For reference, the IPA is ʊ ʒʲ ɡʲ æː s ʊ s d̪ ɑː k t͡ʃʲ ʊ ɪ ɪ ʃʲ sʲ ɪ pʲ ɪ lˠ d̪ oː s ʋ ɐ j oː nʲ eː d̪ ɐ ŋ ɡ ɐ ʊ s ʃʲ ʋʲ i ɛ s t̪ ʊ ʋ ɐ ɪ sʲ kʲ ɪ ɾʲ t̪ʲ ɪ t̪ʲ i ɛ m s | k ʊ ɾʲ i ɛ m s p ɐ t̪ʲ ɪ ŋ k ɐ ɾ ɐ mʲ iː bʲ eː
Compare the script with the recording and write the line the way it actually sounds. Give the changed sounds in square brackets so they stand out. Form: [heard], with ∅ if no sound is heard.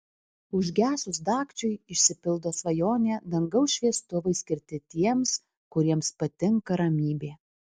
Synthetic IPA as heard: ʊ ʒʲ ɡʲ æː s ʊ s d̪ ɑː k t͡ʃʲ ʊ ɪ ɪ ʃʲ sʲ ɪ pʲ ɪ lˠ d̪ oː s ʋ ɐ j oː nʲ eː d̪ ɐ ŋ ɡ ɐ ʊ s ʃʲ ʋʲ i ɛ s t̪ ʊ ʋ ɐ ɪ sʲ kʲ ɪ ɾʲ t̪ʲ ɪ t̪ʲ i ɛ m s | k ʊ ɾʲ i ɛ m s p ɐ t̪ʲ ɪ ŋ k ɐ ɾ ɐ mʲ iː bʲ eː